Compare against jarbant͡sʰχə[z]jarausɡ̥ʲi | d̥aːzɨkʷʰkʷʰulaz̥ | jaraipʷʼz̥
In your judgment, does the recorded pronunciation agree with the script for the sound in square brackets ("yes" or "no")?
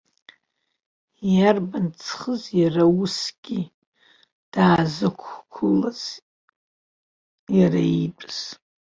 yes